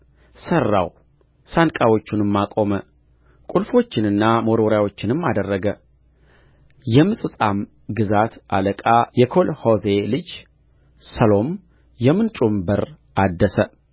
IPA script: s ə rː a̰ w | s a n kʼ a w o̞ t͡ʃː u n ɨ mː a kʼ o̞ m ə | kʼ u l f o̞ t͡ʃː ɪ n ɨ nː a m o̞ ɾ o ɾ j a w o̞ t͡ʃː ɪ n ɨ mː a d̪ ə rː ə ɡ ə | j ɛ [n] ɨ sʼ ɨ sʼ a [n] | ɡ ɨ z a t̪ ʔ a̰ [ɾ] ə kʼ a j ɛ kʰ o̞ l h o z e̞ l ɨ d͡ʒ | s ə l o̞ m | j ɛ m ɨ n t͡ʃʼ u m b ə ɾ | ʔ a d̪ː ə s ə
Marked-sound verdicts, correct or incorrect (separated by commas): incorrect, incorrect, incorrect